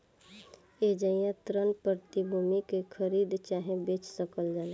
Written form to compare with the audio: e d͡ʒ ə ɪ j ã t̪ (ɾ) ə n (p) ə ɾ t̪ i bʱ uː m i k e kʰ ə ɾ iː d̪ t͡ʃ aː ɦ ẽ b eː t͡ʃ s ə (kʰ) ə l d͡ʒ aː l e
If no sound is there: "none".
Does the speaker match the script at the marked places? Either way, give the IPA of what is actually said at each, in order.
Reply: ɾ, p, k

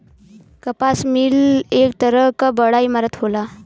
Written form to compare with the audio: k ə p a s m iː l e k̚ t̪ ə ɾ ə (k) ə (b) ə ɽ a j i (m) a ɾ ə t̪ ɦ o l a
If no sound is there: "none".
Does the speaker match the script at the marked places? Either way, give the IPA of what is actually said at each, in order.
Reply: k, b, m

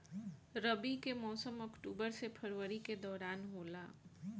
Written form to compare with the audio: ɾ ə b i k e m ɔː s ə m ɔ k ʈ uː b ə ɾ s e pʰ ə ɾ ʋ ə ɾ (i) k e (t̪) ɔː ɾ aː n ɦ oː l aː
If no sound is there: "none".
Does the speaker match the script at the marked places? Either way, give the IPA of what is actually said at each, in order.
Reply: i, d̪

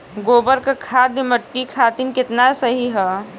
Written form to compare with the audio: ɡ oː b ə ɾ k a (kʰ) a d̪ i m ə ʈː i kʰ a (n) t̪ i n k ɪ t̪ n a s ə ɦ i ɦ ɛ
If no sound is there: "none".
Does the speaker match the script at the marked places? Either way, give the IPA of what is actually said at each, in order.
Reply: kʰ, none

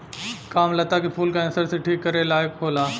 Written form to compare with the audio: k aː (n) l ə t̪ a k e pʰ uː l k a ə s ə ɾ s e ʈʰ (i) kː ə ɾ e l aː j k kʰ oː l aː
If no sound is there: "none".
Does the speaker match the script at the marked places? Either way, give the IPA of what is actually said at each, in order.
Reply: m, iː

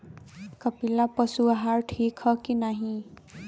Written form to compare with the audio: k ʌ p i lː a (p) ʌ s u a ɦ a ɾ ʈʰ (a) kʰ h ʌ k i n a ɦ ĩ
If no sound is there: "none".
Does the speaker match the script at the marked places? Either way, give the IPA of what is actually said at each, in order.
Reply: p, i

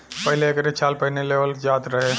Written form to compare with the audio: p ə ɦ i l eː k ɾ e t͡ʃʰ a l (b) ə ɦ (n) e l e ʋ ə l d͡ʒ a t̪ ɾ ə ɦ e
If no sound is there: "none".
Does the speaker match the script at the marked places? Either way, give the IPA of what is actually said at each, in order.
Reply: p, n

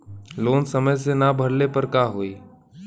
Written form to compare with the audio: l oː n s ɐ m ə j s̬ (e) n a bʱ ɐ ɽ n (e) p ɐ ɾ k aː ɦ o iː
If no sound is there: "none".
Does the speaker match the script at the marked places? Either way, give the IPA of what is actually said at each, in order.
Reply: e, e

